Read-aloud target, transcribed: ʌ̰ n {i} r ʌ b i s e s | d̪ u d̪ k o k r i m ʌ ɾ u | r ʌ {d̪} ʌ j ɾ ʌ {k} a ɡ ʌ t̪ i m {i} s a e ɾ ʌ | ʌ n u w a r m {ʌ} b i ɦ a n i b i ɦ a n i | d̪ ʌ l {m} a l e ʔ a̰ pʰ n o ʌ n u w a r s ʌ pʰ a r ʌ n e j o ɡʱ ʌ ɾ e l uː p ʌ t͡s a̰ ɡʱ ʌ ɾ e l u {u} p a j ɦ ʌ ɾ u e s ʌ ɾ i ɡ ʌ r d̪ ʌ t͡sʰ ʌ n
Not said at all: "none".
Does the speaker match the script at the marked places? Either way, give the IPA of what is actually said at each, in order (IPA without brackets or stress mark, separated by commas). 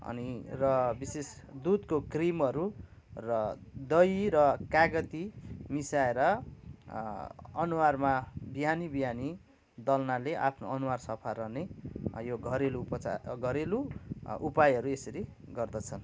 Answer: i, d̪, k, i, a, n, u